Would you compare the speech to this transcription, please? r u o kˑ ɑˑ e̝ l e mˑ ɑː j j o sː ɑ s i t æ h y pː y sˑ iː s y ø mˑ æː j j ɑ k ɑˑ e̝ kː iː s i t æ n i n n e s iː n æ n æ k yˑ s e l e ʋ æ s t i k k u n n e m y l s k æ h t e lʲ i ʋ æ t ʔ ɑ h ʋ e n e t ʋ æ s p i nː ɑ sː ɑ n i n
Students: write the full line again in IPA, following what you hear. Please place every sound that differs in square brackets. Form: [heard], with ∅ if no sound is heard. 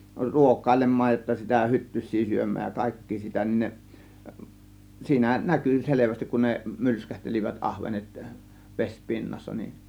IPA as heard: r u o kˑ ɑˑ e̝ l e mˑ ɑː j j o [tː] ɑ s i t æ h y [tː] y sˑ iː s y ø mˑ æː j j ɑ k ɑˑ e̝ kː iː s i t æ n i n n e s iː n æ n æ k yˑ s e l e ʋ æ s t i k k u n n e m y l s k æ h t e lʲ i ʋ æ t ʔ ɑ h ʋ e n e t ʋ [e] s p i nː ɑ sː ɑ n i n